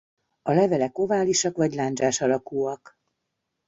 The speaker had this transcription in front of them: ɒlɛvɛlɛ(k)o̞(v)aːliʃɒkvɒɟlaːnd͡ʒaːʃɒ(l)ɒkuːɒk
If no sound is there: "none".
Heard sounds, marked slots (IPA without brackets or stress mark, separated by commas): k, v, l